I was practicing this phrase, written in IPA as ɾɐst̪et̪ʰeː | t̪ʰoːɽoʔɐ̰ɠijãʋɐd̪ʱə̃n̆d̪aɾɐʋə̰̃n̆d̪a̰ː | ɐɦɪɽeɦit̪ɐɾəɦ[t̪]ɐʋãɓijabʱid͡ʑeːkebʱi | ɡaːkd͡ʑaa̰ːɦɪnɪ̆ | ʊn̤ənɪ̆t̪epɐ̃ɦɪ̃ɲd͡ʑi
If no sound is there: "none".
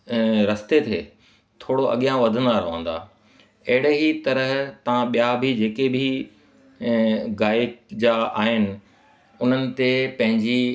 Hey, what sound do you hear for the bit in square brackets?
t̪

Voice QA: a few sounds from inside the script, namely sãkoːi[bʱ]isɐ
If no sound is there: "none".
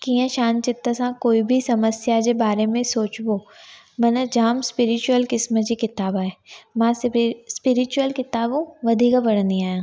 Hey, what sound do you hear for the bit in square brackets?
bʱ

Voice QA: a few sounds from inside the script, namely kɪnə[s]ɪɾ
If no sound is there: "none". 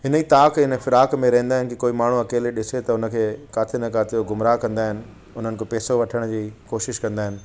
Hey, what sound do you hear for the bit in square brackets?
f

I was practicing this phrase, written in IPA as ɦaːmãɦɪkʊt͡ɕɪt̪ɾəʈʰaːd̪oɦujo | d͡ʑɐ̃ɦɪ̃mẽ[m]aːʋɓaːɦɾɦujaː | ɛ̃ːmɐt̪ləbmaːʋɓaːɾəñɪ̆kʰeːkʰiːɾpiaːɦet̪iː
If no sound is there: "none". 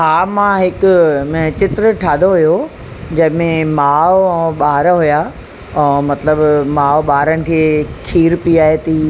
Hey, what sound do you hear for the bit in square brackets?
m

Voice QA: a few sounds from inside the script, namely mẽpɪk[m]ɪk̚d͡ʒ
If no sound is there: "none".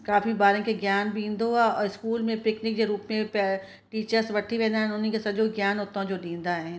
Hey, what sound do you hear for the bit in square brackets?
n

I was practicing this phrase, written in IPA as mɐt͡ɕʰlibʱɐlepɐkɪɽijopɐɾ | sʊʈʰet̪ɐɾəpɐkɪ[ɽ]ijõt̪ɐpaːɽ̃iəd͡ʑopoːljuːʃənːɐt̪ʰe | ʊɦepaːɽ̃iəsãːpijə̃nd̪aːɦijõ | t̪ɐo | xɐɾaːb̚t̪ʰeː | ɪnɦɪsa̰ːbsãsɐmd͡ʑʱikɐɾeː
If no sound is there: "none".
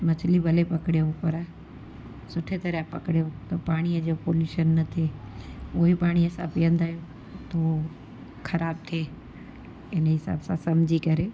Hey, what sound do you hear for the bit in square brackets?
ɽ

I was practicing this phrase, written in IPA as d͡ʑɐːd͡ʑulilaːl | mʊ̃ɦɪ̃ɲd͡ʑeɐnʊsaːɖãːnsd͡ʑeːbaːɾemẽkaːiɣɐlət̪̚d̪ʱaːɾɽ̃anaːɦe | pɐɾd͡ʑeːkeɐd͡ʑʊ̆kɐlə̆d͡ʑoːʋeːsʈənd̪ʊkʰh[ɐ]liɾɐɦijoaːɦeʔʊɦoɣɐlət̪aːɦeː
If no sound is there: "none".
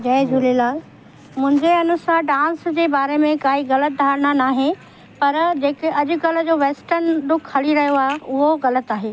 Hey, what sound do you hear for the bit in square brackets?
ɐ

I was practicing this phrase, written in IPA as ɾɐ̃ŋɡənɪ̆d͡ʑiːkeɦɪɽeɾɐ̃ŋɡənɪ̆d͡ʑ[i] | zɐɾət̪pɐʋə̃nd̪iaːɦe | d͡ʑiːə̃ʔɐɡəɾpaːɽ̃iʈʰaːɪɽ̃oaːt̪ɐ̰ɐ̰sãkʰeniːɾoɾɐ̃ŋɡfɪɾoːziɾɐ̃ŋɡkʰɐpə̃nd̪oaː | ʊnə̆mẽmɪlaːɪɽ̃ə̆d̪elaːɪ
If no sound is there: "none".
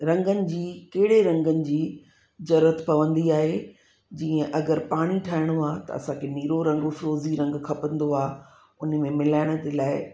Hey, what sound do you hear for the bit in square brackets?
iː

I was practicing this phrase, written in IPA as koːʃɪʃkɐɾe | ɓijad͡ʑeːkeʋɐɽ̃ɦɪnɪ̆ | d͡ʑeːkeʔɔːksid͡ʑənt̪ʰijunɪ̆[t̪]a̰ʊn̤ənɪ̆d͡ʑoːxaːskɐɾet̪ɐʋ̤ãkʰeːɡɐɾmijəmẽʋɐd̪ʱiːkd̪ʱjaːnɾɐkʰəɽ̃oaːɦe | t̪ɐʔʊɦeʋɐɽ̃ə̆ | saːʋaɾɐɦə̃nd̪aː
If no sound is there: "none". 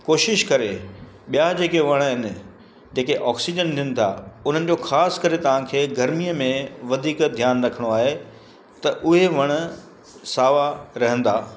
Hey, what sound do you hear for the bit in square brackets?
t̪ʰ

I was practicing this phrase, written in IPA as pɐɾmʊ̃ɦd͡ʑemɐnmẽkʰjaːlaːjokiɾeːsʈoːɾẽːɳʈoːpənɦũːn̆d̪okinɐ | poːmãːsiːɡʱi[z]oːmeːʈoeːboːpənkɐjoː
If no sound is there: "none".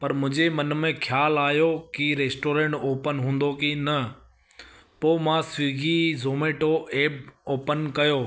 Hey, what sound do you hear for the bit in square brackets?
z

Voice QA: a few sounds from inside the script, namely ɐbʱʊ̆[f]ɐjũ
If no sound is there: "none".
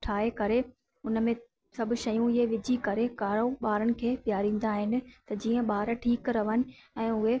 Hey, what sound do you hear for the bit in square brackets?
ʃ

